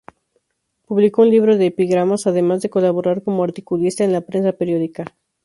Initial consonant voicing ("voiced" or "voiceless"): voiceless